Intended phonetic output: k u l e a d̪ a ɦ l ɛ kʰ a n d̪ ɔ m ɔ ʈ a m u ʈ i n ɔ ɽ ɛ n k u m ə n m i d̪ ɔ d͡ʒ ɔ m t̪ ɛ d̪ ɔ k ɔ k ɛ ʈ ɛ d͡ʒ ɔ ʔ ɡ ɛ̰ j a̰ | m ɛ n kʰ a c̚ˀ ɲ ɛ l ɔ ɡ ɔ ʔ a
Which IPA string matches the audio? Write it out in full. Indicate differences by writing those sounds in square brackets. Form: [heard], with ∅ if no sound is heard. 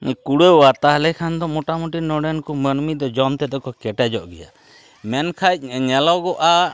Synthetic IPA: k u [ɽ] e a [t̪] a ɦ l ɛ kʰ a n d̪ ɔ m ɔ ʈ a m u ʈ i n ɔ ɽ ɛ n k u m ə n m i d̪ ɔ d͡ʒ ɔ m t̪ ɛ d̪ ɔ k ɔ k ɛ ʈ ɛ d͡ʒ ɔ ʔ ɡ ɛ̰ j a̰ | m ɛ n kʰ a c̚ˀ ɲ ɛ l ɔ ɡ ɔ ʔ a